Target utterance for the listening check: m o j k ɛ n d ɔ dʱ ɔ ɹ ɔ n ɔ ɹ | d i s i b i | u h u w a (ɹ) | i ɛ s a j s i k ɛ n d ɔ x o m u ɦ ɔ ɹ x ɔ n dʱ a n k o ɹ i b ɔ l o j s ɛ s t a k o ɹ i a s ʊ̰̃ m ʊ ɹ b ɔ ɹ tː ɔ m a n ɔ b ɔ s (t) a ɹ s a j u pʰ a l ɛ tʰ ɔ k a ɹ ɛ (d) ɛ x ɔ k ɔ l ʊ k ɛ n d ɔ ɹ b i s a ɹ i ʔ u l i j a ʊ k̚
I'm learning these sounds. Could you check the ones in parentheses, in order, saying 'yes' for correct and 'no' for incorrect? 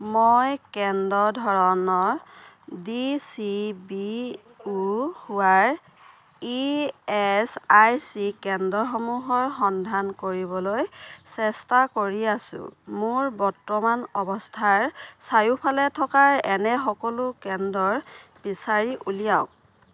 yes, no, no

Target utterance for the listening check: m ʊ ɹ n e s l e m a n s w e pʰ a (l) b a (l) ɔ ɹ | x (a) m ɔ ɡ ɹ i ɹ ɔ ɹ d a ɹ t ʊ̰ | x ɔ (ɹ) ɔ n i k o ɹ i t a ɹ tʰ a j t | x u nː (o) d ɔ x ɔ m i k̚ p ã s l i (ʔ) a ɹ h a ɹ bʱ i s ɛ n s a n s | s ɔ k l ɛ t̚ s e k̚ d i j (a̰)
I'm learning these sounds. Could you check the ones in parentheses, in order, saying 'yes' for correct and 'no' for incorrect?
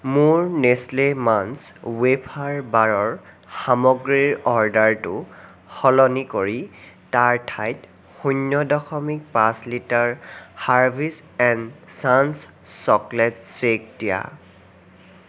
no, no, yes, no, no, no, yes

